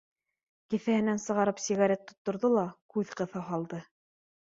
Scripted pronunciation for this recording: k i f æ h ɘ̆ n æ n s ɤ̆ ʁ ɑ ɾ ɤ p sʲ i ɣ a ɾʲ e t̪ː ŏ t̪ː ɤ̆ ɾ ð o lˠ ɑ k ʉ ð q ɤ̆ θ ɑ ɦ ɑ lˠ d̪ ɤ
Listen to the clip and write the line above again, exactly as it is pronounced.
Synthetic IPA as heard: k i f æ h ɘ̆ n æ n s ɤ̆ ʁ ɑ ɾ ɤ p sʲ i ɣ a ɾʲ e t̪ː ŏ t̪ː ŏ ɾ ð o lˠ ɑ k ʉ ð q ɤ̆ θ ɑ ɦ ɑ lˠ d̪ ɤ